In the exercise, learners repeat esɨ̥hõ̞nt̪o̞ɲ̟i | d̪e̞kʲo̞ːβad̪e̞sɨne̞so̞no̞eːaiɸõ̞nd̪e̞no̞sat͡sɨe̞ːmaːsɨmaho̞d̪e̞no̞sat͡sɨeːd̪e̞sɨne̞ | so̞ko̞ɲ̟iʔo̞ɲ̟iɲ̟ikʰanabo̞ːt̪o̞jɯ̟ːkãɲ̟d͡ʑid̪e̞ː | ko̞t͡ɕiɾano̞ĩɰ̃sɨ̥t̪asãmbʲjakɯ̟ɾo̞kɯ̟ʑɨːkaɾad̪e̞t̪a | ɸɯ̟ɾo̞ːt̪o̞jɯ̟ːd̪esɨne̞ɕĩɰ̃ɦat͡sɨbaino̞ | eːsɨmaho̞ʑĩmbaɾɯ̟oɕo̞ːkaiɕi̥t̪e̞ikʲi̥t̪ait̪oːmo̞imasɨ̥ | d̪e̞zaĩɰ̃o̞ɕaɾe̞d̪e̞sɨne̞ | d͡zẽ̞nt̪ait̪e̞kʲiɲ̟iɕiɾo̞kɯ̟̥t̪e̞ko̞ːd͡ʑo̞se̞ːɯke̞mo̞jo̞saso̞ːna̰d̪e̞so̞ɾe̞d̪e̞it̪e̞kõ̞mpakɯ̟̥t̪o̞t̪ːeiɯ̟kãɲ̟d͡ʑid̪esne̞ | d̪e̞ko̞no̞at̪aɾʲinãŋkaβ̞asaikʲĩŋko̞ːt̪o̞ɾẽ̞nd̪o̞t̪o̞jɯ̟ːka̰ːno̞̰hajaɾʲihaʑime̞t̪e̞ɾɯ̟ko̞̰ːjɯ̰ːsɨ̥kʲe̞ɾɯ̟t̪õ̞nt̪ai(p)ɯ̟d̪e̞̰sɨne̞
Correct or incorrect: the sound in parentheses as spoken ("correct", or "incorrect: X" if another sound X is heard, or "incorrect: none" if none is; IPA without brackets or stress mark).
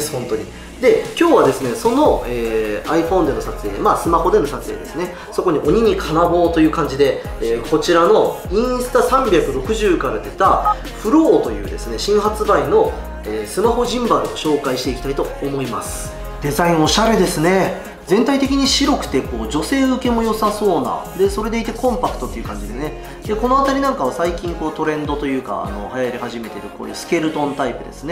correct